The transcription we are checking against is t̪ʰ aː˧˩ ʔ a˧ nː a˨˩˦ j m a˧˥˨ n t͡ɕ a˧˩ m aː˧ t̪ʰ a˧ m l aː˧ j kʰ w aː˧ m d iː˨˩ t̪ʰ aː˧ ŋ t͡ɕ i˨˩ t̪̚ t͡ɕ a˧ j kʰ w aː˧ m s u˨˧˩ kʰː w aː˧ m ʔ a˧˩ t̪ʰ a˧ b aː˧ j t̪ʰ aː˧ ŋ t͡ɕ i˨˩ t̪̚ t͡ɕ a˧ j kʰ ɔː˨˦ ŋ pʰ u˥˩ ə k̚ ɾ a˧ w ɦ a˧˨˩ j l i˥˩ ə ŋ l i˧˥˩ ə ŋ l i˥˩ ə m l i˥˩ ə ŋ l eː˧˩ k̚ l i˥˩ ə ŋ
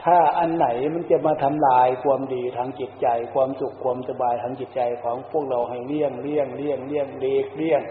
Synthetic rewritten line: t̪ʰ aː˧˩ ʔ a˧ nː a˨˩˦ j m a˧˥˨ n t͡ɕ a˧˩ m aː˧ t̪ʰ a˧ m l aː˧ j kʰ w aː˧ m d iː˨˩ t̪ʰ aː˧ ŋ t͡ɕ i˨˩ t̪̚ t͡ɕ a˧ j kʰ w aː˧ m s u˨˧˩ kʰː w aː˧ m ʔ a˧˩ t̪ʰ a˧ b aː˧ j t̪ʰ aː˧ ŋ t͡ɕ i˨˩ t̪̚ t͡ɕ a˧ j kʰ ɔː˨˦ ŋ pʰ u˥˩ ə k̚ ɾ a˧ w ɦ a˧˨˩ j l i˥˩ ə ŋ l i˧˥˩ ə ŋ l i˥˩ ə ŋ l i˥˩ ə ŋ l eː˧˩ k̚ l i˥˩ ə ŋ